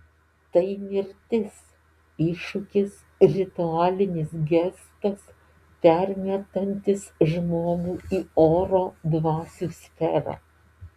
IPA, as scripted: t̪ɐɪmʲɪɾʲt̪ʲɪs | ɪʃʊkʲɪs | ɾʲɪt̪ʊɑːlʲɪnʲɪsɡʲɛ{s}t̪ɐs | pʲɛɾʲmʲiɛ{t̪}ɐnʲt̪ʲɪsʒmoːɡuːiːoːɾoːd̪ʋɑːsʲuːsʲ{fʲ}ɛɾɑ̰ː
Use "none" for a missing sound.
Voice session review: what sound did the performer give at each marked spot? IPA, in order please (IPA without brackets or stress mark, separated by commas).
s, t̪, fʲ